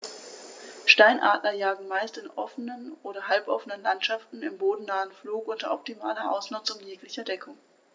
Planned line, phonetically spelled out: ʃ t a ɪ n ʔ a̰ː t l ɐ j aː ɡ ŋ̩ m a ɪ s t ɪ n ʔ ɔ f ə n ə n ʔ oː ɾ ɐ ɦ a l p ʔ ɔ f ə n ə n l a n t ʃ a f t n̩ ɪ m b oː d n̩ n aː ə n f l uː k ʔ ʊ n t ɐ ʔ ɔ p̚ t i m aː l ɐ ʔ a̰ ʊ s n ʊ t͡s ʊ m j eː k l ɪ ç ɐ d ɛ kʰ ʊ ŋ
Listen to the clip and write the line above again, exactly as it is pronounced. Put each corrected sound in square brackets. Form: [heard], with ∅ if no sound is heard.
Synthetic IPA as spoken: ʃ t a ɪ n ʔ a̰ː t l ɐ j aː ɡ ŋ̩ m a ɪ s t ɪ n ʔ ɔ f ə n ə n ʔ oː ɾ ɐ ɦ a l p ʔ ɔ f ə n ə n l a n t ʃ a f t n̩ ɪ m b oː d n̩ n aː ə n f l uː k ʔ ʊ n t ɐ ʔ ɔ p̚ t i m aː l ɐ ʔ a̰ ʊ s n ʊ t͡s ʊ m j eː k l ɪ ç ɐ d ɛ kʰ ʊ ŋ